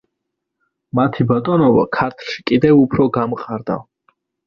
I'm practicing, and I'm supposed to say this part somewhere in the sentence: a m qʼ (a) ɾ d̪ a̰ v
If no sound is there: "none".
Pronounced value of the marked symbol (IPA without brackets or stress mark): a